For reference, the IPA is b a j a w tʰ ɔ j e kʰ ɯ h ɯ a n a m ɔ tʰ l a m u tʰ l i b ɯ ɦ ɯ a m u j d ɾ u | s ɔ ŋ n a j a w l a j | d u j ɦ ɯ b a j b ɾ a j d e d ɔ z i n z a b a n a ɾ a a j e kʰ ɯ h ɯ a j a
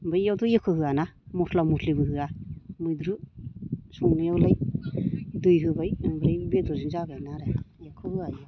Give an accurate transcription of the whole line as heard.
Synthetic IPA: b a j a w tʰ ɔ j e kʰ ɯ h ɯ a n a m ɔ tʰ l a m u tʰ l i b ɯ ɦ ɯ a m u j d ɾ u | s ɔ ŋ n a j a w l a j | d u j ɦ ɯ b a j b ɾ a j b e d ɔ z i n z a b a n a ɾ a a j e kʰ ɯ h ɯ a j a